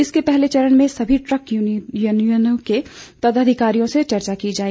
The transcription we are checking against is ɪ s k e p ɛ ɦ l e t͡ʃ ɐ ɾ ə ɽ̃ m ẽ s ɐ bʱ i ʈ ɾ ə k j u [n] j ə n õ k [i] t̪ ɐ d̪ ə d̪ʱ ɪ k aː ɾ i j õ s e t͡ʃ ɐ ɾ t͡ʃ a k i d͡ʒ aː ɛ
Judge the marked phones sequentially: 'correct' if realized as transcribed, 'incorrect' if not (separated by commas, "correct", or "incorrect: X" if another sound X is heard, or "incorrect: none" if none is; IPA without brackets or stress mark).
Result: correct, incorrect: e